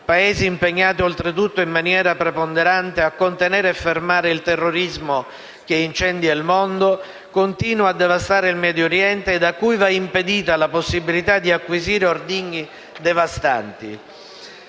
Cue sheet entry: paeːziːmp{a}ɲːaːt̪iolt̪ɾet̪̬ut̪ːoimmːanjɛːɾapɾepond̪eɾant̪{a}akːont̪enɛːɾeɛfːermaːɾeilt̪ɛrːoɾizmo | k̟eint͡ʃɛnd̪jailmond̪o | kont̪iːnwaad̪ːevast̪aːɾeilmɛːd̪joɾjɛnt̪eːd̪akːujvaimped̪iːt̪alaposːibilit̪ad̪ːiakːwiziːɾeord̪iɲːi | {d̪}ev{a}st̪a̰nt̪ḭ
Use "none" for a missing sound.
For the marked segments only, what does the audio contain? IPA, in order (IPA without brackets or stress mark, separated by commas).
e, e, d̪, a